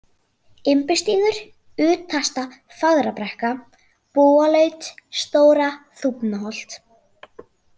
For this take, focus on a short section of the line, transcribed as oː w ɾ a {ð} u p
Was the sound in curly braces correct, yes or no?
no